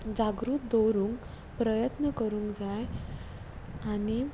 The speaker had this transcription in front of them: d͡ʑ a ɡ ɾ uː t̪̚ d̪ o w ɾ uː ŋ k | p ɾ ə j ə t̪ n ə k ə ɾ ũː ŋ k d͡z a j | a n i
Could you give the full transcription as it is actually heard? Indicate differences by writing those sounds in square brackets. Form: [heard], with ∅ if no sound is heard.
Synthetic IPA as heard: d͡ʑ a ɡ ɾ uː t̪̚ d̪ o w ɾ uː ŋ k | p ɾ ə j ə t̪ n ə k ə ɾ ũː ŋ k d͡z a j | a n i

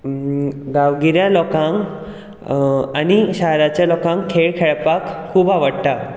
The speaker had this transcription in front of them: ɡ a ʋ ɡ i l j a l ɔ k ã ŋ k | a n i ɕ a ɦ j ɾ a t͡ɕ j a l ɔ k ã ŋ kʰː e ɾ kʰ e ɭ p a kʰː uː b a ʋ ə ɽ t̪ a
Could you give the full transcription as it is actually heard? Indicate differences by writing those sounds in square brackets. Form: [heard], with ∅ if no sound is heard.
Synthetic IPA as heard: ɡ a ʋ ɡ i [ɾ] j a l ɔ k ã ŋ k | a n i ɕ a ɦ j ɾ a t͡ɕ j a l ɔ k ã ŋ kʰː e [ɭ] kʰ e ɭ p a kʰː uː b a ʋ ə ɽ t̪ a

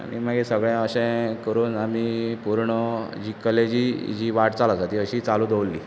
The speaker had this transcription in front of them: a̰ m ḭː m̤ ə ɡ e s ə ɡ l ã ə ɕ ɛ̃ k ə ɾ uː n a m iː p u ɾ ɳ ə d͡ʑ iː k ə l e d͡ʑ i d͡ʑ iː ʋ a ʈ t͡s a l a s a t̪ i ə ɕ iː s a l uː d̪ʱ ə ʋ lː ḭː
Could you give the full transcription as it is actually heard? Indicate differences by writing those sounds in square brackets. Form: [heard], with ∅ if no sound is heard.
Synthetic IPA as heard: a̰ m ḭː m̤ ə ɡ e s ə ɡ [ɭ] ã ə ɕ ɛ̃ k ə ɾ uː n a m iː p u ɾ ɳ ə d͡ʑ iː k ə l e d͡ʑ i d͡ʑ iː ʋ a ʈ t͡s a l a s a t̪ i ə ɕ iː [t͡s] a l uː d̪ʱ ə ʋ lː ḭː

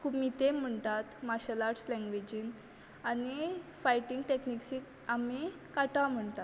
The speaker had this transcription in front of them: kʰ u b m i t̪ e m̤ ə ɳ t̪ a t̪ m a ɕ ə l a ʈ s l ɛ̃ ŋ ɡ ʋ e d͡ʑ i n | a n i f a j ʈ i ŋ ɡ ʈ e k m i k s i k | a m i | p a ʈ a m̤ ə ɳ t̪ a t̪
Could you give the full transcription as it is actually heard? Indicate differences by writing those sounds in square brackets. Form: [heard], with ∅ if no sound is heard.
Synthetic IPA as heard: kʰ u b m i t̪ e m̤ ə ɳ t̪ a t̪ m a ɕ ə l a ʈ s l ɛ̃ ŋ ɡ ʋ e d͡ʑ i n | a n i f a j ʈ i ŋ ɡ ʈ e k [n] i k s i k | a m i | [k] a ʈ a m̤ ə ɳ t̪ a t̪

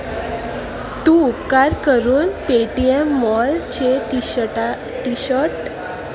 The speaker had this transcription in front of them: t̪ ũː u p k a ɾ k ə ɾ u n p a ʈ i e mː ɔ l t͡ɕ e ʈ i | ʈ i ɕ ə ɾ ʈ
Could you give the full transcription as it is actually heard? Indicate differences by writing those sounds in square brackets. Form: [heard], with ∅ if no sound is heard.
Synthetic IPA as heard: t̪ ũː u p k a ɾ k ə ɾ [uː] n p [e] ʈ i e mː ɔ l t͡ɕ e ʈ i | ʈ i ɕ ə ɾ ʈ

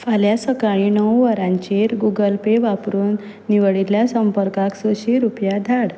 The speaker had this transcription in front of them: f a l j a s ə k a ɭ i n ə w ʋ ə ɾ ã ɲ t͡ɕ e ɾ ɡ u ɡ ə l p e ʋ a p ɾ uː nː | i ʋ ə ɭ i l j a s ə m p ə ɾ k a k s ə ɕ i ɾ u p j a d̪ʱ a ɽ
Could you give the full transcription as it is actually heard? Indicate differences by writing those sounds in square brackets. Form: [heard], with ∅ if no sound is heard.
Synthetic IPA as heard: f a l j a s ə k a ɭ i n ə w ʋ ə ɾ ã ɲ t͡ɕ e ɾ ɡ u ɡ ə l p e ʋ a p ɾ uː nː | i ʋ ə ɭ i l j a s ə m p ə ɾ k a k s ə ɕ i ɾ u p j a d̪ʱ a ɽ

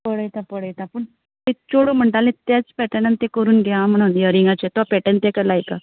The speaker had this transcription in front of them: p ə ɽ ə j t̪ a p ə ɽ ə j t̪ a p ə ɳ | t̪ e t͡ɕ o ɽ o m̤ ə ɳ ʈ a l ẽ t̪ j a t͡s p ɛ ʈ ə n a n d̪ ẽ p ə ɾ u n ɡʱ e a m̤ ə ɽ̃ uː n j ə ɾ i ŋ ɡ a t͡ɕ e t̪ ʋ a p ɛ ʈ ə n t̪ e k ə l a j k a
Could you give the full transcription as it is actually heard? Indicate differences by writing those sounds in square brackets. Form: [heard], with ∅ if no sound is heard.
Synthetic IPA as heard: p ə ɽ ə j t̪ a p ə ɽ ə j t̪ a p ə ɳ | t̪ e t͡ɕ o ɽ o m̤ ə ɳ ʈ a l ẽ t̪ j a t͡s p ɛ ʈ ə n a n [t̪] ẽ [k] ə ɾ [uː] n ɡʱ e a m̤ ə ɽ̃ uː n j ə ɾ i ŋ ɡ a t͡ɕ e t̪ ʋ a p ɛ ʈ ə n t̪ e k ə l a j k a

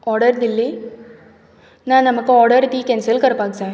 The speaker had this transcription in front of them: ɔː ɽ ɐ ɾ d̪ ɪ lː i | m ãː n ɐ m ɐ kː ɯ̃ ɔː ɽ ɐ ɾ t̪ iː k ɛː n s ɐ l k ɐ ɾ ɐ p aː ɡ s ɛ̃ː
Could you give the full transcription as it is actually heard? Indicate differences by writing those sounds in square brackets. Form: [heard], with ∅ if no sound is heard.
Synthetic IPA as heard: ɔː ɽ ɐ ɾ d̪ ɪ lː i | [n] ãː n ɐ m ɐ kː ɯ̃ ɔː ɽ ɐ ɾ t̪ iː k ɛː n s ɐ l k ɐ ɾ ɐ p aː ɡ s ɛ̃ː

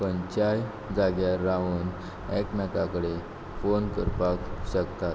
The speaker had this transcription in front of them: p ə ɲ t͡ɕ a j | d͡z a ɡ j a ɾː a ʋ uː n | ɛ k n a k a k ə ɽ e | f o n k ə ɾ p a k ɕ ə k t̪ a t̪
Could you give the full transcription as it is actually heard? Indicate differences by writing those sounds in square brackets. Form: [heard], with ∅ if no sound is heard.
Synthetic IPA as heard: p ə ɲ t͡ɕ a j | d͡z a ɡ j a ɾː a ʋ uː n | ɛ k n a k a k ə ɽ e | f o n k ə ɾ p a k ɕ ə k t̪ a t̪

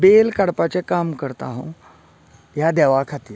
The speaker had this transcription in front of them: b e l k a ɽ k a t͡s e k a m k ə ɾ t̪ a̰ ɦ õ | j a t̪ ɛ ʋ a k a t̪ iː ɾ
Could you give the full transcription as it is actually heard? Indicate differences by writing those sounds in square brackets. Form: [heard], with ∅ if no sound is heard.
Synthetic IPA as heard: b e l k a ɽ [p] a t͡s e k a m k ə ɾ t̪ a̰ ɦ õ | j a [d̪] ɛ ʋ a [kʰ] a t̪ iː ɾ

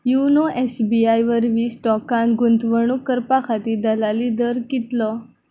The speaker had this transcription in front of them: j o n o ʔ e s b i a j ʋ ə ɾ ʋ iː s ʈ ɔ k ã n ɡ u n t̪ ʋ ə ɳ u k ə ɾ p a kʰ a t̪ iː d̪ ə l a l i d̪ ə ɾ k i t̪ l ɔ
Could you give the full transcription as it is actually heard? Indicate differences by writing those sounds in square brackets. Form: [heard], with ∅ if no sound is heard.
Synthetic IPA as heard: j [u] n o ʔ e s b i a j ʋ ə ɾ ʋ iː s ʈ ɔ k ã n ɡ u n t̪ ʋ ə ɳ u k ə ɾ p a kʰ a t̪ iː d̪ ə l a l i d̪ ə ɾ k i t̪ l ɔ

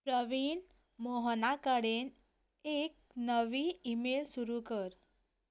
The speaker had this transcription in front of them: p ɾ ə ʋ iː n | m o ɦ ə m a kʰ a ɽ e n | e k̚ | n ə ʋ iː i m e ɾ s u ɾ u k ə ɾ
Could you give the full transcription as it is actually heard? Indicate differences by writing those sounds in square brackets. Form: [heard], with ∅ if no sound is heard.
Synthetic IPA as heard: p ɾ ə ʋ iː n | m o ɦ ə [n] a [k] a ɽ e n | e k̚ | n ə ʋ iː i m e [l] s u ɾ u k ə ɾ

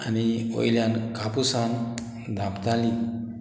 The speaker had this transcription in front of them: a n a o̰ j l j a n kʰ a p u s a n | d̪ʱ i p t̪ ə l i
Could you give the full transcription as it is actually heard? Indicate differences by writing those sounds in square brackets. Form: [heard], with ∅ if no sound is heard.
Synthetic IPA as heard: a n [i] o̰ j l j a n [k] a p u s a n | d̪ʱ [a] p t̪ [a] l i

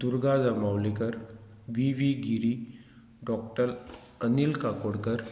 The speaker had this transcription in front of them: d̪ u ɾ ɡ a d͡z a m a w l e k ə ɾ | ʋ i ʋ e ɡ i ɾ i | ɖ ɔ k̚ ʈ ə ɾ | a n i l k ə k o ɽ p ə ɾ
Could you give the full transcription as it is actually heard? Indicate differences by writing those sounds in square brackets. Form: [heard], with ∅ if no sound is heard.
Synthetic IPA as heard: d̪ u ɾ ɡ a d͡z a m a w l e k ə ɾ | ʋ i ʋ [i] ɡ i ɾ i | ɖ ɔ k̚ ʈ ə ɾ | [ə] n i l k [a] k o ɽ [k] ə ɾ

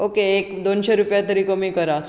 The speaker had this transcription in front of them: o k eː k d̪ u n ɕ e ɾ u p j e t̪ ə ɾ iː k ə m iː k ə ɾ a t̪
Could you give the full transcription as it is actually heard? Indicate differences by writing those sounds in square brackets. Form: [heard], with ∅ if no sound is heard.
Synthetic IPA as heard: o k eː k d̪ [o] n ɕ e ɾ u p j [a] t̪ ə ɾ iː k ə m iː k ə ɾ a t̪

